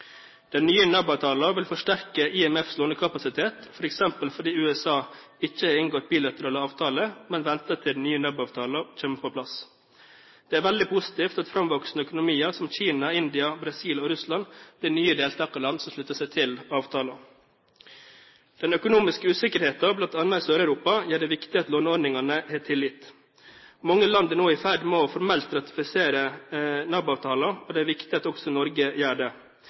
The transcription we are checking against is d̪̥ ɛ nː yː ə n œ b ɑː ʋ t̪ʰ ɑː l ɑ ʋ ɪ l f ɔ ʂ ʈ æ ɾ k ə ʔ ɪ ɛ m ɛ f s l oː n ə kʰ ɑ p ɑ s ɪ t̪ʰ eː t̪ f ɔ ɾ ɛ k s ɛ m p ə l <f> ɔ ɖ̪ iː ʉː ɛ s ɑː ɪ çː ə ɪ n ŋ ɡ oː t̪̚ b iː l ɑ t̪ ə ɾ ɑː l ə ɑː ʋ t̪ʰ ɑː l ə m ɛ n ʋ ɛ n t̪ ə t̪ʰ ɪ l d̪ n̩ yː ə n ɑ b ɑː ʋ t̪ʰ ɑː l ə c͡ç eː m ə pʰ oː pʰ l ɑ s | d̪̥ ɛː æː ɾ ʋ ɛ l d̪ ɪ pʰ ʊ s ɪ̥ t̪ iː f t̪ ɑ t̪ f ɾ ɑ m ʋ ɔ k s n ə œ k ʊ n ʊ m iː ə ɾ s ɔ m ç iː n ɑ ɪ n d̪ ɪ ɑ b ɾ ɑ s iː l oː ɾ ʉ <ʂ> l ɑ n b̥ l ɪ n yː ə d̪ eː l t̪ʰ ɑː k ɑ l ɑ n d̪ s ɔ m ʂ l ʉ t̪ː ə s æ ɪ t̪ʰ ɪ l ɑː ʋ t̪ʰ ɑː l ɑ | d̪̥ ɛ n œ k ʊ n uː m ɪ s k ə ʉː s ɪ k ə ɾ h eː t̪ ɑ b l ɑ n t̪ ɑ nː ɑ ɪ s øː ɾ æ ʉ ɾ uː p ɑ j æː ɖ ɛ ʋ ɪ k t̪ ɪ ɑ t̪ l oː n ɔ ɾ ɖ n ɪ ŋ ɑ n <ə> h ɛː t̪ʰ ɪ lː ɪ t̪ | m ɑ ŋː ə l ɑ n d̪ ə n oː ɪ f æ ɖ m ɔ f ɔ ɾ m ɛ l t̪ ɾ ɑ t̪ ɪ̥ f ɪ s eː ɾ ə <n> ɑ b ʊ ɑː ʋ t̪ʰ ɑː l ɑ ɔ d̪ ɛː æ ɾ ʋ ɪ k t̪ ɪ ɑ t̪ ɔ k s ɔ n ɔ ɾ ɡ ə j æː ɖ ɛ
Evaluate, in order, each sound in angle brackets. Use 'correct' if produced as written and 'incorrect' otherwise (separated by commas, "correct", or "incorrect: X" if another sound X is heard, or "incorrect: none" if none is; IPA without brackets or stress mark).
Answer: correct, incorrect: s, correct, correct